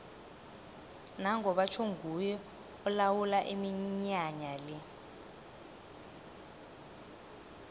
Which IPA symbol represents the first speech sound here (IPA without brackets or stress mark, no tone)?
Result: n